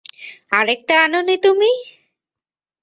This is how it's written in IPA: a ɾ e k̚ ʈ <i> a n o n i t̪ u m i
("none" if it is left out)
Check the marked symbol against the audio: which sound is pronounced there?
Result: a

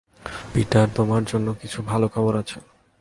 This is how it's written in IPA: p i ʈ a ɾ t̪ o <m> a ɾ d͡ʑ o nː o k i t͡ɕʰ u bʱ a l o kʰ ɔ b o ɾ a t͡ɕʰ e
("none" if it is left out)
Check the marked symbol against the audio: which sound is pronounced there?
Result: m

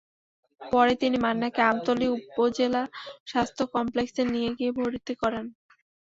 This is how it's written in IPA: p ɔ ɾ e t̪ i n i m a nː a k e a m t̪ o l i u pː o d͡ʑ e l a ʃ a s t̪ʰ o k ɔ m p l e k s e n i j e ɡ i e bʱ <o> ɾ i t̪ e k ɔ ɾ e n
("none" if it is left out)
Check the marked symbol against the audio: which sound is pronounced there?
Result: o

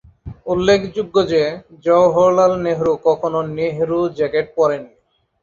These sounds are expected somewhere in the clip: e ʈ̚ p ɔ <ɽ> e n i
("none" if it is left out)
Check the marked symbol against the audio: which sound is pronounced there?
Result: ɾ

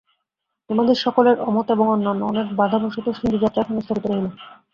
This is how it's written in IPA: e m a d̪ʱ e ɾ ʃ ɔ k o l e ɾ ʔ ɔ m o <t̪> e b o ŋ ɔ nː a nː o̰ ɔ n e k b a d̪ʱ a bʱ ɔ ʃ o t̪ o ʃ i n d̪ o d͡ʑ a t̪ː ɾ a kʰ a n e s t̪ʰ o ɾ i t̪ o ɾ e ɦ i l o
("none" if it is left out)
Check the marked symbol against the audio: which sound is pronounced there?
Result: t̪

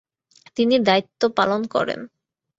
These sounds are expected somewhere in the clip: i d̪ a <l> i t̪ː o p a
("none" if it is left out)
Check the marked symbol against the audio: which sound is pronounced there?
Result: none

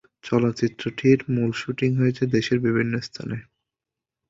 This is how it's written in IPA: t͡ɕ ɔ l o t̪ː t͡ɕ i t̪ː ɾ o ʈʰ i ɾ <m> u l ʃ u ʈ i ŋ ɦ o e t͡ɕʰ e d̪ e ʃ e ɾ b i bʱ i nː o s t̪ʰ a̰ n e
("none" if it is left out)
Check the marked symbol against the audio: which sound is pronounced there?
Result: m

